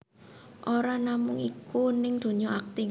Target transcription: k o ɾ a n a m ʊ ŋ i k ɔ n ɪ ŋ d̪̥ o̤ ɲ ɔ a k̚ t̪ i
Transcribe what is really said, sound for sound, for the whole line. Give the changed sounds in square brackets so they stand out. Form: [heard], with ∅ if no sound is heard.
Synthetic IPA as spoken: [ʔ] o ɾ a n a m ʊ ŋ i k [u] n ɪ ŋ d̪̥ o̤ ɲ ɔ a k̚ t̪ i